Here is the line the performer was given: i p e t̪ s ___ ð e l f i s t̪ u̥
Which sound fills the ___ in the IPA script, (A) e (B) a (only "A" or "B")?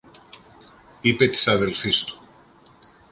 B